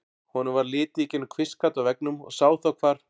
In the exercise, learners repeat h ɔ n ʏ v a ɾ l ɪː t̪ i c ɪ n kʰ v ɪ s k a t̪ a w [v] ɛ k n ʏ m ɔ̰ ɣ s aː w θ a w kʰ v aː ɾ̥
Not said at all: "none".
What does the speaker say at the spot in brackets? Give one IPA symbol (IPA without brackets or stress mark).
v